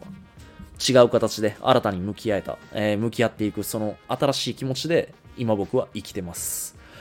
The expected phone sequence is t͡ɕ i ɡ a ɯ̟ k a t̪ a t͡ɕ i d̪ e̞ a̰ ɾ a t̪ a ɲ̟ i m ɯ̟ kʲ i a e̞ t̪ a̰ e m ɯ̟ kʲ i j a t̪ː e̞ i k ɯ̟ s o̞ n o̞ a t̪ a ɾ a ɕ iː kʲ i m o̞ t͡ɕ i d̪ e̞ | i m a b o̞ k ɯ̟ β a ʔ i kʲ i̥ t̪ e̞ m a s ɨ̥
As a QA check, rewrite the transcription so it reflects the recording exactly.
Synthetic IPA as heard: t͡ɕ i ɡ a ɯ̟ k a t̪ a t͡ɕ i d̪ e̞ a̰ ɾ a t̪ a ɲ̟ i m ɯ̟ kʲ i a e̞ t̪ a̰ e m ɯ̟ kʲ i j a t̪ː e̞ i k ɯ̟ s o̞ n o̞ a t̪ a ɾ a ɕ iː kʲ i m o̞ t͡ɕ i d̪ e̞ | i m a b o̞ k ɯ̟ β a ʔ i kʲ i̥ t̪ e̞ m a s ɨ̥